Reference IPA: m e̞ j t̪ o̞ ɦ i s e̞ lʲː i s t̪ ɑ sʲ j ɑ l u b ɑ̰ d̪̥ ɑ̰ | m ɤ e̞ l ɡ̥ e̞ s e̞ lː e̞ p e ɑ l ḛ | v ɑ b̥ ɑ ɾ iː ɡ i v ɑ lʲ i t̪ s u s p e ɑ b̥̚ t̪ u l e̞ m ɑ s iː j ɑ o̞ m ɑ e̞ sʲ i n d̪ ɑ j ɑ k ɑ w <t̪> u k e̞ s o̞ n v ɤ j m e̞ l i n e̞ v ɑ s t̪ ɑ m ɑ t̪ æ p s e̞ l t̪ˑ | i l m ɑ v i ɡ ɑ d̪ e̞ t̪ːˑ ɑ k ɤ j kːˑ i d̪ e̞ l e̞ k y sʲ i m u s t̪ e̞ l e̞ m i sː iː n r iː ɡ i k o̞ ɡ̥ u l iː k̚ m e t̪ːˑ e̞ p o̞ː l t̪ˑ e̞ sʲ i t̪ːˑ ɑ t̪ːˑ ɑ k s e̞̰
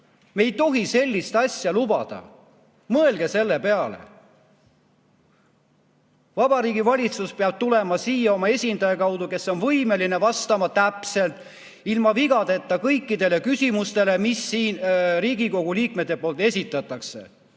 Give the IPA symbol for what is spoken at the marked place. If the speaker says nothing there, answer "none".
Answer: d̪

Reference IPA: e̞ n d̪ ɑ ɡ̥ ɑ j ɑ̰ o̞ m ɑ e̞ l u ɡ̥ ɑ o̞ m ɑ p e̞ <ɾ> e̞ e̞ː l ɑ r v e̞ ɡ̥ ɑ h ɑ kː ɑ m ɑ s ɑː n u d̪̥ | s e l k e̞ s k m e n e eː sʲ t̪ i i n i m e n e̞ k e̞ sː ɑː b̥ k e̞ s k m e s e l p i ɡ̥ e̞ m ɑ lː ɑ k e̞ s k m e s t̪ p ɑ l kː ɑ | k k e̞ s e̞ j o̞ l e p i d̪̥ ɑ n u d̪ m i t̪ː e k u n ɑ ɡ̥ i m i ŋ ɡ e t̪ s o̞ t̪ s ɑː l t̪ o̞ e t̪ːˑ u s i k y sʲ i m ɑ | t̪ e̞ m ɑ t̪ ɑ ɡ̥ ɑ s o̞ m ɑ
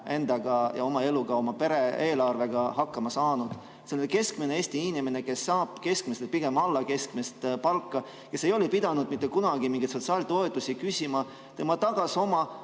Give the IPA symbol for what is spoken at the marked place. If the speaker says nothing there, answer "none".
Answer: ɾ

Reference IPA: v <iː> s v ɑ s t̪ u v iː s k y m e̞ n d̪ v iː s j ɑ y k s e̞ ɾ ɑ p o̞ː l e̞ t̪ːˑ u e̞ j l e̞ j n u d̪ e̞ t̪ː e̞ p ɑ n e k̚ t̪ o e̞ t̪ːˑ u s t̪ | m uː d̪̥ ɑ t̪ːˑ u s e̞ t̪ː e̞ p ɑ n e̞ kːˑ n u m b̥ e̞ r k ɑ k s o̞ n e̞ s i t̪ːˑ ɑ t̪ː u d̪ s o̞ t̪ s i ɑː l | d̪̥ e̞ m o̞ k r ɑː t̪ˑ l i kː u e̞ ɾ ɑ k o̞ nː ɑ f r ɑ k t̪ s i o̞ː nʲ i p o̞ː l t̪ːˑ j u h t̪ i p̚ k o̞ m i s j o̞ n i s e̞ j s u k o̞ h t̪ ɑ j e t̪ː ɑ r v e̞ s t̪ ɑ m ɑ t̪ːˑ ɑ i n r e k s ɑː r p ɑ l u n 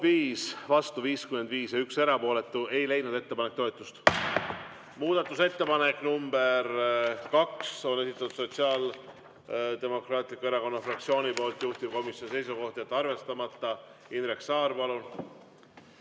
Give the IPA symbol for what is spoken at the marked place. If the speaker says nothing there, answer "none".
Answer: iː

